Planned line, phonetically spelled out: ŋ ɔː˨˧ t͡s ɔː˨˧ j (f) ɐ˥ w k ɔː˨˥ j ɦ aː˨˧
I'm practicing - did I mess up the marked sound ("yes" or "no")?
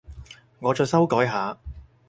yes